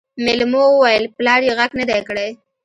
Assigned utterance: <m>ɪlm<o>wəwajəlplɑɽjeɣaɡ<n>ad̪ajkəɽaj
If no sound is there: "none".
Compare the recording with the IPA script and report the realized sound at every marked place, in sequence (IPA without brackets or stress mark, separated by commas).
m, o, n